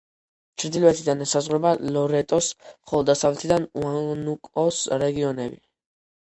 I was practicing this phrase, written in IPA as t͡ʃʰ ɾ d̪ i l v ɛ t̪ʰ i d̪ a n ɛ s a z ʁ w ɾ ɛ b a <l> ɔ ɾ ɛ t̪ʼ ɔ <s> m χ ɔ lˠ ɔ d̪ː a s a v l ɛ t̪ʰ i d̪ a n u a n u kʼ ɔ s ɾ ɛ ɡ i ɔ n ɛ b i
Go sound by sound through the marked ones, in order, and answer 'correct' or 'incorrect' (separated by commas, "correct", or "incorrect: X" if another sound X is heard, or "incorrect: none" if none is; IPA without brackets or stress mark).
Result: correct, correct